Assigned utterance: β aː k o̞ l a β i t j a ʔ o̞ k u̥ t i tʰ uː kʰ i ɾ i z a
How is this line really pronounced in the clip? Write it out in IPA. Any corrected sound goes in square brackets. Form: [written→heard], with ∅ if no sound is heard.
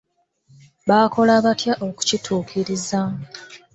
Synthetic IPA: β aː k o̞ l a β [i→a] t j a ʔ o̞ k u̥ [t→c] i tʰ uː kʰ i ɾ i z a